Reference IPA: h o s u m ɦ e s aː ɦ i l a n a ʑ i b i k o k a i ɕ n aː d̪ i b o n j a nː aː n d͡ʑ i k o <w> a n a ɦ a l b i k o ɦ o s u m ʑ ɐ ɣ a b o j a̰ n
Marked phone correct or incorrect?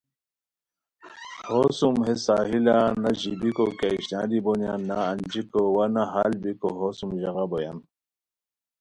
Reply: correct